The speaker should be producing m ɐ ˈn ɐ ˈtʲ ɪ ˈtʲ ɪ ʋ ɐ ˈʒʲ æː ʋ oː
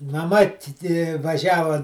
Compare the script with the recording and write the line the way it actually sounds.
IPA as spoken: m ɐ ˈm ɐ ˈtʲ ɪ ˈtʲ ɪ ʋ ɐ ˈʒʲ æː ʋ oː